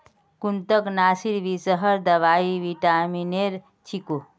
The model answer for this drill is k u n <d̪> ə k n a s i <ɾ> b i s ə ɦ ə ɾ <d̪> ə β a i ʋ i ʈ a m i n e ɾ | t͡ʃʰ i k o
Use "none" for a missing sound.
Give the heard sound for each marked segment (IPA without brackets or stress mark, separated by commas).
t̪, ɾ, d̪